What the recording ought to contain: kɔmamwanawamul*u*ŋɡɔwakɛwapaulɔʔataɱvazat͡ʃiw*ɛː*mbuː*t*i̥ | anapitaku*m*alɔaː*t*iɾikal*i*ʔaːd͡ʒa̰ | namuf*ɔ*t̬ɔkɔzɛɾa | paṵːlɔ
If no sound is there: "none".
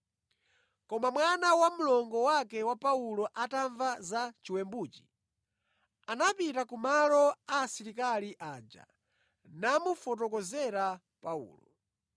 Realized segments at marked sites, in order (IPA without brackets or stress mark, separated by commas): ɔ, ɛ, t͡ʃ, m, s, i, ɔ